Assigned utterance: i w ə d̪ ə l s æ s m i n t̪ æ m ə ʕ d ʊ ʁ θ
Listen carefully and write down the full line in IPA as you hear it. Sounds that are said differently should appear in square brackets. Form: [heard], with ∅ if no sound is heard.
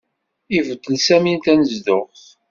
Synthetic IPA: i [v] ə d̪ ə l s æ [∅] m i n t̪ æ [n] ə [z] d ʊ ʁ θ